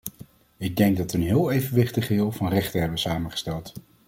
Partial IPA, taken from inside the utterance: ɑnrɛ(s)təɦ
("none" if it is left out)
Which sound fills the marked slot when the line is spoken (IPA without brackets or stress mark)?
χ